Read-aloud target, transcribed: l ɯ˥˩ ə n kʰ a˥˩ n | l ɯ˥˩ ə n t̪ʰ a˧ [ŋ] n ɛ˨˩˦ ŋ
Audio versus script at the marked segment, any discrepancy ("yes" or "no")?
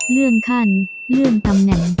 yes